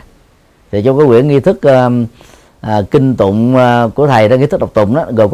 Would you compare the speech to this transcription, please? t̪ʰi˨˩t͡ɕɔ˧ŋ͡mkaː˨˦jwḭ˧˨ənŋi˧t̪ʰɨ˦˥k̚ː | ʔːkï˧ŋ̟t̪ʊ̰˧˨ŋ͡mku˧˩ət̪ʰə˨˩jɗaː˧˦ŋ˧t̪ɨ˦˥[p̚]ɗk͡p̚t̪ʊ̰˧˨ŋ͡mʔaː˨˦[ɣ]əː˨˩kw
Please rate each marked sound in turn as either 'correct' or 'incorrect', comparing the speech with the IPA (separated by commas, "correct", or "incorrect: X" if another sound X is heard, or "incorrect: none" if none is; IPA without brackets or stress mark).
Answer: incorrect: k̚, correct